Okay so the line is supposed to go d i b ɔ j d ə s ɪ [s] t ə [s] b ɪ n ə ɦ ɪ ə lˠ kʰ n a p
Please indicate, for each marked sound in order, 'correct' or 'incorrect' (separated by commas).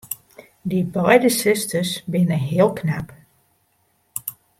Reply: correct, correct